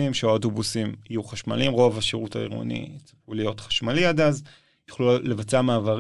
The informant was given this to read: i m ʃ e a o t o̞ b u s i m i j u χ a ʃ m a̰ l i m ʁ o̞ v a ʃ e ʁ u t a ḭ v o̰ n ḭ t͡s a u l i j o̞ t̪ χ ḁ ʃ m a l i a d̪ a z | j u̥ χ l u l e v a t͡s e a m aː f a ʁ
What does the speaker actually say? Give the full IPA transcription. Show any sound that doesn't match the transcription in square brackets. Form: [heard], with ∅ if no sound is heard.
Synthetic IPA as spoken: i m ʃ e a o t o̞ b u s i m i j u χ a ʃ m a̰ l i m ʁ o̞ v a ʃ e ʁ u t a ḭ [ʁ] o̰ n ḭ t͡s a u l i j o̞ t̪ χ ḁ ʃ m a l i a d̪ a z | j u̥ χ l u l e v a t͡s e a m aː [v] a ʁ